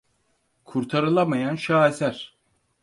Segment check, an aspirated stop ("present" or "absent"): present